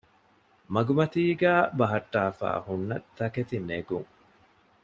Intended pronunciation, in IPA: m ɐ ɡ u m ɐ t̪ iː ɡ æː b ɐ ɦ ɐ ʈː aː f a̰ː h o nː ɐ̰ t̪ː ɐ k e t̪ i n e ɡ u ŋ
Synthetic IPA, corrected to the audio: m ɐ ɡ u m ɐ t̪ iː ɡ æː b ɐ ɦ ɐ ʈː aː f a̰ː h u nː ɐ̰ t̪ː ɐ k e t̪ i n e ɡ u ŋ